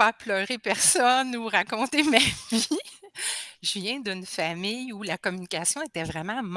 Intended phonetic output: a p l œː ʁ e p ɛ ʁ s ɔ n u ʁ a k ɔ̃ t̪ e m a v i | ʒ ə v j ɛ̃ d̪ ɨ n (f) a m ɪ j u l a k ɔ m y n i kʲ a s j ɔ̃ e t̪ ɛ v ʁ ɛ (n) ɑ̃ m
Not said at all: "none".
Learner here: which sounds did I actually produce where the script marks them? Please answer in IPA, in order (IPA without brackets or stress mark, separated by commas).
f, m